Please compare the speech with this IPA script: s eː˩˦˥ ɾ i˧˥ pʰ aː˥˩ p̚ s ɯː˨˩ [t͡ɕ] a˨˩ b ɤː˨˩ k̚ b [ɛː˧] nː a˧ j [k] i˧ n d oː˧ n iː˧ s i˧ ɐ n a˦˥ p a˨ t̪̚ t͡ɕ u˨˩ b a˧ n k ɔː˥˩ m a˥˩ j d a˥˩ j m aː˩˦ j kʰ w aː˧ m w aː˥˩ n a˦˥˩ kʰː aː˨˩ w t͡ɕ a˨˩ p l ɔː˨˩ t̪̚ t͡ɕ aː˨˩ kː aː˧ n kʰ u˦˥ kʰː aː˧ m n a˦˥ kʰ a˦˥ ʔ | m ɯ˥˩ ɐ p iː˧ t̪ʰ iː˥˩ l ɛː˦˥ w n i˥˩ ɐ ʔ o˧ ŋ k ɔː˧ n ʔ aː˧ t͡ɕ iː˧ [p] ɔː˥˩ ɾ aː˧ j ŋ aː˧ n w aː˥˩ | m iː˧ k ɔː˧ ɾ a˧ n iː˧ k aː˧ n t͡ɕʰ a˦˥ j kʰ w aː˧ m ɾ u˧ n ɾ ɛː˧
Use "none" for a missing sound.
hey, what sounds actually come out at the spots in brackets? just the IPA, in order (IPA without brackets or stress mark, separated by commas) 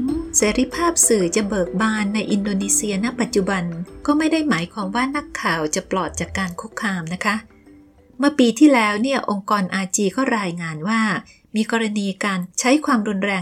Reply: t͡ɕ, aː˧, ʔ, k